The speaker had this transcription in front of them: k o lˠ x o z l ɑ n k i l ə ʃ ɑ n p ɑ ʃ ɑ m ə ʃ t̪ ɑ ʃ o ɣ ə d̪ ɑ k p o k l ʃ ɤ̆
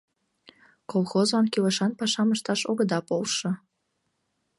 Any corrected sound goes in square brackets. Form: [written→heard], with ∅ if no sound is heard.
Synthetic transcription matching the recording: k o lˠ x o z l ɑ n k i l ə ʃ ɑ n p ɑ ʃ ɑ m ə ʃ t̪ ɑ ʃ o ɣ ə d̪ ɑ [k→∅] p o [k→∅] l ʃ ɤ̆